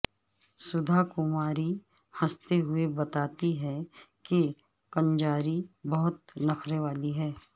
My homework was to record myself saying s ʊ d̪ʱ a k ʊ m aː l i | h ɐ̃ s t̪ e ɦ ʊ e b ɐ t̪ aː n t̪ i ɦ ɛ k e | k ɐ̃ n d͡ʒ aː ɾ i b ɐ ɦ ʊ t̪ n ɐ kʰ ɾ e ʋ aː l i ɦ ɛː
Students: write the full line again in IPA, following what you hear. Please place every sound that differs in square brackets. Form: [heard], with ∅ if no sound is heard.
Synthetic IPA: s ʊ d̪ʱ a k ʊ m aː [ɾ] i | h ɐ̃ s t̪ e ɦ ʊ e b ɐ t̪ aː [∅] t̪ i ɦ ɛ k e | k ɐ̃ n d͡ʒ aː ɾ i b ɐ ɦ ʊ t̪ n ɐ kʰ ɾ e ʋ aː l i ɦ ɛː